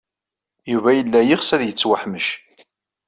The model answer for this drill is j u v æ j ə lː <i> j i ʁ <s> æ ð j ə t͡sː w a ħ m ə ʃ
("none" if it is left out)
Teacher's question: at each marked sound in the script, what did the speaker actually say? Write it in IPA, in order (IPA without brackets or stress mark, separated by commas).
æ, s